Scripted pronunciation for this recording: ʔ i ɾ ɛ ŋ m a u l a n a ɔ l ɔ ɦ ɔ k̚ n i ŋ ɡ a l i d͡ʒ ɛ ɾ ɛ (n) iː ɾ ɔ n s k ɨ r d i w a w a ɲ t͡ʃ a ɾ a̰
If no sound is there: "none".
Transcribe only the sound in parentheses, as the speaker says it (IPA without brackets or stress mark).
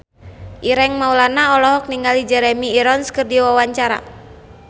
m